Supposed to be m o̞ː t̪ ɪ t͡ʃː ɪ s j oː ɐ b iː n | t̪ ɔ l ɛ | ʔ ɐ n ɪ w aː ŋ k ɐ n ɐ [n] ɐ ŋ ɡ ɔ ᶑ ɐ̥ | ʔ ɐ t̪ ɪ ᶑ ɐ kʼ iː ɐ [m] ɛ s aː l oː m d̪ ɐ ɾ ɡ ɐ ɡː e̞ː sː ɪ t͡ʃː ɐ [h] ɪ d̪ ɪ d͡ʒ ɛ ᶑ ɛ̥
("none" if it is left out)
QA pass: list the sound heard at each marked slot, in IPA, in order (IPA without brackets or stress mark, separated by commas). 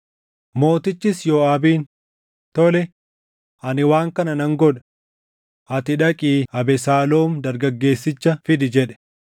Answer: n, b, f